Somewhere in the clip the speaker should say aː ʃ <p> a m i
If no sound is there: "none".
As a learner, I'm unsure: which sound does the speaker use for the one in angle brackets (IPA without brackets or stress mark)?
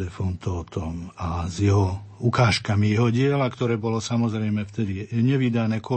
k